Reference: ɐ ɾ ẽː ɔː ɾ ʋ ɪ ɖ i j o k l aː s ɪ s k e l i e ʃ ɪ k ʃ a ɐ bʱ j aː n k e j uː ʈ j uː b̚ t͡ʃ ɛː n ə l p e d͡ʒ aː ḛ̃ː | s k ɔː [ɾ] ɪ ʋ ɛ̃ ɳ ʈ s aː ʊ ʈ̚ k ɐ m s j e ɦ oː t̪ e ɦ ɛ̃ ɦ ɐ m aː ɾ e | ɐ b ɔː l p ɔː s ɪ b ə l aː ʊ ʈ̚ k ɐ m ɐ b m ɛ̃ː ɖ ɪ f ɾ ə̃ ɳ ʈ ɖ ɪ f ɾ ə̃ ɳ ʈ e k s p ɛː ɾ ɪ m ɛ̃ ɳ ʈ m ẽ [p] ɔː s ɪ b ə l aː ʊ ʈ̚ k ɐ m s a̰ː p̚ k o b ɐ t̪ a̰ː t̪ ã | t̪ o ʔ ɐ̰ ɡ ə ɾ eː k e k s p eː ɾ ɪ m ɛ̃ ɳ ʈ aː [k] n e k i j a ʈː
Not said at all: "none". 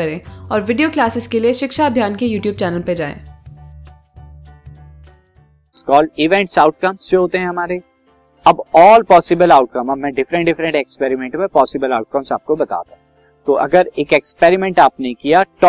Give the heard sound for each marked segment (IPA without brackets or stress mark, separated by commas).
l, p, p